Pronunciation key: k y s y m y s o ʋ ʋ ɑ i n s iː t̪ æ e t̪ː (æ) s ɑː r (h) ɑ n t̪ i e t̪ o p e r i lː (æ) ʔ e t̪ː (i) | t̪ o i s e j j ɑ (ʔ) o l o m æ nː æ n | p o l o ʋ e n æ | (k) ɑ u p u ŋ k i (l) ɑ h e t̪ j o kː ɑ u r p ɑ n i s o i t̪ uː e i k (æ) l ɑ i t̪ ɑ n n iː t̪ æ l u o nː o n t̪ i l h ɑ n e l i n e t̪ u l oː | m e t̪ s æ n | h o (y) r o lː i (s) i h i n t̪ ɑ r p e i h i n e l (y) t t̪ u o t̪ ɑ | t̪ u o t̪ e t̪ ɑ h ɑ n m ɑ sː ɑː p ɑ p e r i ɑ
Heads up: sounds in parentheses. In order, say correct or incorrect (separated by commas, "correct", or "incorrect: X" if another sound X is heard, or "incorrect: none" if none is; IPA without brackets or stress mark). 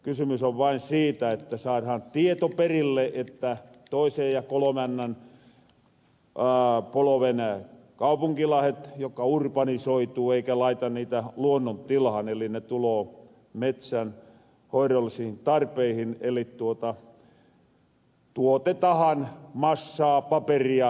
correct, correct, incorrect: e, incorrect: æ, incorrect: k, correct, correct, correct, incorrect: i, correct, incorrect: i